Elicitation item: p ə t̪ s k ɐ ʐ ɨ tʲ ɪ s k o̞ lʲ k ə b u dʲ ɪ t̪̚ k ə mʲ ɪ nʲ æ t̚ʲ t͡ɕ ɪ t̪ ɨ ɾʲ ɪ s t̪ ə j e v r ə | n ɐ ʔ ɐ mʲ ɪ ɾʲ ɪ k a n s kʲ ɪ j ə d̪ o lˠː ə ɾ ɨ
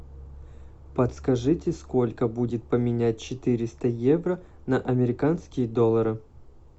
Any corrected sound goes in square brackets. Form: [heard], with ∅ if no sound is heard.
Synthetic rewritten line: p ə t̪ s k ɐ ʐ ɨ tʲ ɪ s k o̞ lʲ k ə b u dʲ ɪ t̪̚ [p] ə mʲ ɪ nʲ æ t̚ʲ t͡ɕ ɪ t̪ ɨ ɾʲ ɪ s t̪ ə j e v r ə | n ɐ ʔ ɐ mʲ ɪ ɾʲ ɪ k a n s kʲ ɪ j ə d̪ o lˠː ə ɾ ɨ